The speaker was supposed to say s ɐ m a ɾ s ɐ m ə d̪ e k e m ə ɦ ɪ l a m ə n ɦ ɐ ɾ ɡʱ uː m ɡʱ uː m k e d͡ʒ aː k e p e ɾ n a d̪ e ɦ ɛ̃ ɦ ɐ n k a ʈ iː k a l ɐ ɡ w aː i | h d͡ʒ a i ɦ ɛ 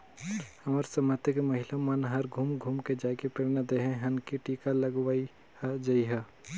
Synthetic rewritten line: h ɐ m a ɾ s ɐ m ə t̪ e k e m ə ɦ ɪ l a m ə n ɦ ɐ ɾ ɡʱ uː m ɡʱ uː m k e d͡ʒ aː k e p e ɾ n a d̪ e ɦ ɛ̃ ɦ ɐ n k i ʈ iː k a l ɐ ɡ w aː i | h d͡ʒ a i ɦ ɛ